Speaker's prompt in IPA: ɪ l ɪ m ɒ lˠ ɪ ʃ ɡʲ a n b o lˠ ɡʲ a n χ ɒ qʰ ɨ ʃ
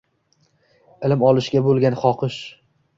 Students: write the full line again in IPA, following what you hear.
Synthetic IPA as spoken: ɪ l ɪ m ɒ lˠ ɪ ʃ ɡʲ a b o lˠ ɡʲ a n χ ɒ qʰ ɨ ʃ